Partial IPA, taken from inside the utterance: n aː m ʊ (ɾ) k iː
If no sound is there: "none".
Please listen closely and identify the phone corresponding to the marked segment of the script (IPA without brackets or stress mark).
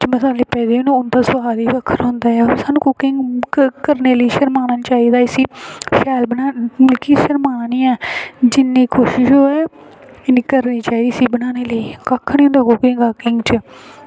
l